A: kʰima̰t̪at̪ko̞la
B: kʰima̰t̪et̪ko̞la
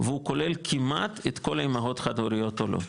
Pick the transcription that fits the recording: B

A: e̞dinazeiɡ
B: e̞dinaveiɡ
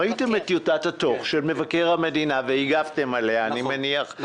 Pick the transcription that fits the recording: B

